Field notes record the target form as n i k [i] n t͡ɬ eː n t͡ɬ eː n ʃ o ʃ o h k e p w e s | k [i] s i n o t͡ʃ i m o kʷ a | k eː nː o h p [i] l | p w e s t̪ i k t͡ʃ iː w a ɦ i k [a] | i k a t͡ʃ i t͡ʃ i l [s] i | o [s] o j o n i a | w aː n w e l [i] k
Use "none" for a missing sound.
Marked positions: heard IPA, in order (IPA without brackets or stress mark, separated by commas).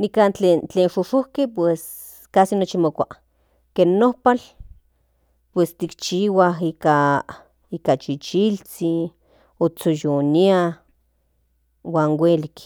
a, a, a, a, t͡s, t͡s, i